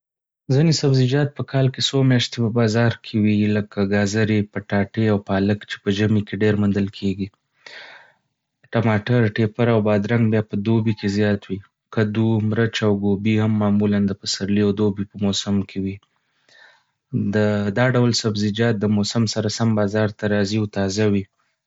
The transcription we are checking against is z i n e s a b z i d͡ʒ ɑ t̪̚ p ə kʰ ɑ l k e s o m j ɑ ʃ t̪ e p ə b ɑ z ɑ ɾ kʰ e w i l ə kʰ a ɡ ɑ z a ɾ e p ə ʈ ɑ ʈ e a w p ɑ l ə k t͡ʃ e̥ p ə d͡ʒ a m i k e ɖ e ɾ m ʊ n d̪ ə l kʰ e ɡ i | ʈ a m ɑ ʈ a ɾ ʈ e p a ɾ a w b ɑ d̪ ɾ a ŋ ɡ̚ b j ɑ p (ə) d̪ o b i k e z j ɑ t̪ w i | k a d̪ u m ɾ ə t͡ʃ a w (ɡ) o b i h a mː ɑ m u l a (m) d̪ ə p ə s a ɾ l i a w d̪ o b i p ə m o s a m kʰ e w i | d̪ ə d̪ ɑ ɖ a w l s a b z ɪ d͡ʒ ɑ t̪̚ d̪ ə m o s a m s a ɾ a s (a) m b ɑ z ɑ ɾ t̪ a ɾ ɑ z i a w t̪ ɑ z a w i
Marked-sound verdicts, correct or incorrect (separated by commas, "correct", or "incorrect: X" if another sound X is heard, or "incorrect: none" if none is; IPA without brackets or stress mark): correct, correct, incorrect: n, correct